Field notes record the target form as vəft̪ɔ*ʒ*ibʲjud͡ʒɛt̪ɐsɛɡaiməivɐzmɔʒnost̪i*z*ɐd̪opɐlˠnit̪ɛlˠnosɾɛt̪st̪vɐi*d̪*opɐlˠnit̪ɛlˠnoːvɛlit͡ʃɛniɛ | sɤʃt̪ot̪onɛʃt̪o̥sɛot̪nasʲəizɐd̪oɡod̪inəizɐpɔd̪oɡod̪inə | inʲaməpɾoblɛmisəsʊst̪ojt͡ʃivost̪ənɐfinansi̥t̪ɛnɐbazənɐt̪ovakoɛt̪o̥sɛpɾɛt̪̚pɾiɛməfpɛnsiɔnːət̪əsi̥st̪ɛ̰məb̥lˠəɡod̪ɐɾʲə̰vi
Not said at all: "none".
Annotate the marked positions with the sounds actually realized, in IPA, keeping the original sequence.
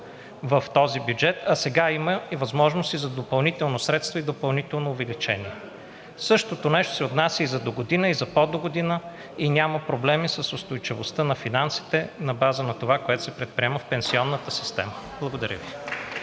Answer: z, z, d̪

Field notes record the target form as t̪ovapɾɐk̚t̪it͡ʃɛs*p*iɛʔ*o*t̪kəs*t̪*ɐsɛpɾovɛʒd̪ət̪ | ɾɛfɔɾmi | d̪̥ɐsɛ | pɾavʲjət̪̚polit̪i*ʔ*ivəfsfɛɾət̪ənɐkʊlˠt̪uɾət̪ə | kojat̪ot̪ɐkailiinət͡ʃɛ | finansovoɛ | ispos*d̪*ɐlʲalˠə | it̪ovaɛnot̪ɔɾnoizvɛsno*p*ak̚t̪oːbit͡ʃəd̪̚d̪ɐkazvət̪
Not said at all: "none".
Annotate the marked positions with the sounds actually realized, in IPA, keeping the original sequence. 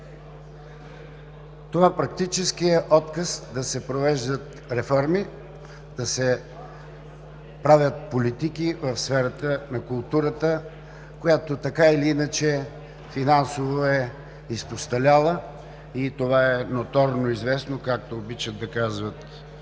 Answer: k, ɔ, d̪, k, t̪, k

